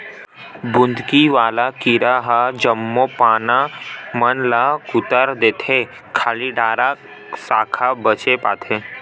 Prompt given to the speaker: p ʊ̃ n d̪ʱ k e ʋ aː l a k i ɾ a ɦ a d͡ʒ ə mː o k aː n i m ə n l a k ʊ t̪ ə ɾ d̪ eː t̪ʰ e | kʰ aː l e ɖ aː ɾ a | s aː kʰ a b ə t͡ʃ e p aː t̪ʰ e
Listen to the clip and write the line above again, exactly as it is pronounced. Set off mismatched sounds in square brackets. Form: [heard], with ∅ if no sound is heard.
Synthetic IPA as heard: [b] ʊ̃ n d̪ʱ k [i] ʋ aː l a k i ɾ a ɦ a d͡ʒ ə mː o [p] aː n [a] m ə n l a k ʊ t̪ ə ɾ d̪ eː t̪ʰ e | kʰ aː l [i] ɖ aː ɾ a | s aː kʰ a b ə t͡ʃ e p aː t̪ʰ e